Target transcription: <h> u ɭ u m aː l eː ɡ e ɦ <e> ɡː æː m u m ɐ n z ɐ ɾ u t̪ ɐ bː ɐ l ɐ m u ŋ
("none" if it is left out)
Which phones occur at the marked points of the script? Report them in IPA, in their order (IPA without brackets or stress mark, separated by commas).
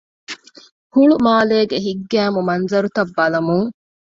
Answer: h, i